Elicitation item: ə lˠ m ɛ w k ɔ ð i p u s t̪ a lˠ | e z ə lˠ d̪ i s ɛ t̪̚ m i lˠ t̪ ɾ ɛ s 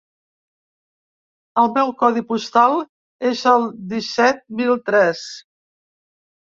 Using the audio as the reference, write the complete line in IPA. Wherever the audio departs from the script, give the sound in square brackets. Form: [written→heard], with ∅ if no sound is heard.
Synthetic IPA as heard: ə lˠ m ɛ w k ɔ ð i p u s t̪ a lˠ | e z ə lˠ d̪ i s ɛ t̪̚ m i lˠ t̪ ɾ ɛ s